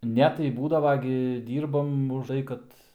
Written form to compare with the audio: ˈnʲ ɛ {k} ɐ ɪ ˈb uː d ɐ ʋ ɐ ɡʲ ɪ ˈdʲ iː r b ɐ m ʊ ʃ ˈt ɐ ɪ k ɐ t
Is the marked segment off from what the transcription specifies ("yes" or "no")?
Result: yes